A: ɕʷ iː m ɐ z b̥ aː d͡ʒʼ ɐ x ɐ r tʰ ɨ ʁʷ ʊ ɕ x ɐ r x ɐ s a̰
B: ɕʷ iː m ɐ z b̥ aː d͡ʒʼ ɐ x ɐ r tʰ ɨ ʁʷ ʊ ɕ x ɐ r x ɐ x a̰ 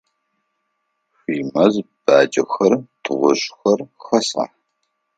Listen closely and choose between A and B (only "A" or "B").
A